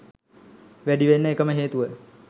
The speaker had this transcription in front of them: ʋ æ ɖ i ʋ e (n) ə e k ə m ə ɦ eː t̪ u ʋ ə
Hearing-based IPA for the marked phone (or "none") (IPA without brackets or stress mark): nː